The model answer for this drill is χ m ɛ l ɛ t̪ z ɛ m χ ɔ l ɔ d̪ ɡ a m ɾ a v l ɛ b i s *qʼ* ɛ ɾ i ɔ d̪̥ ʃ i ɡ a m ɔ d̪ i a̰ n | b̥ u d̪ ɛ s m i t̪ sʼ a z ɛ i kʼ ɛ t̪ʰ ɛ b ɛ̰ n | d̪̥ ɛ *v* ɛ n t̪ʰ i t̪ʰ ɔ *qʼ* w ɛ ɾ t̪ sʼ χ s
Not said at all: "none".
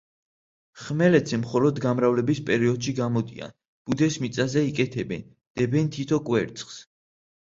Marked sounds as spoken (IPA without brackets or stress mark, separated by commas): pʼ, b, kʼ